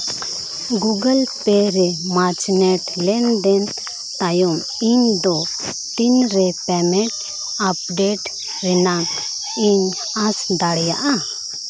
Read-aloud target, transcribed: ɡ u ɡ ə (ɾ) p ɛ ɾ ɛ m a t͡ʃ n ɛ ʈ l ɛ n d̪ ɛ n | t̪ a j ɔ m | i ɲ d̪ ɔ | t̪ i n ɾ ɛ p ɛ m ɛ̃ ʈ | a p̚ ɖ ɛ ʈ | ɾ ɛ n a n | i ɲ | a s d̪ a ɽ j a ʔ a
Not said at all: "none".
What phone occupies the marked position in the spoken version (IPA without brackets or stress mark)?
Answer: l